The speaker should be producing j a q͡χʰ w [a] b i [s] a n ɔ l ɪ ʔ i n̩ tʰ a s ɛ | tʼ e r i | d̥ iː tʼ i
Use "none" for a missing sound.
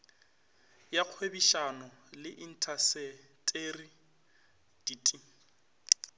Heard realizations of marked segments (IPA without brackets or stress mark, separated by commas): e, ʃ